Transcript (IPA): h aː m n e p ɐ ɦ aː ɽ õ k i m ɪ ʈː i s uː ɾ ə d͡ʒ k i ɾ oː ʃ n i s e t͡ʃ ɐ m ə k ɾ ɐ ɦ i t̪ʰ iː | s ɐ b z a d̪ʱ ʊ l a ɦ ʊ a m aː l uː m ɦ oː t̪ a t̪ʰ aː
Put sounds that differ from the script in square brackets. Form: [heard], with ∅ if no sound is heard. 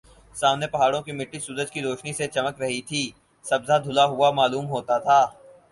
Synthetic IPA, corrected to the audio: [s] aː m n e p ɐ ɦ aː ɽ õ k i m ɪ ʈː i s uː ɾ ə d͡ʒ k i ɾ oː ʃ n i s e t͡ʃ ɐ m ə k ɾ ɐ ɦ i t̪ʰ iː | s ɐ b z a d̪ʱ ʊ l a ɦ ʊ a m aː l uː m ɦ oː t̪ a t̪ʰ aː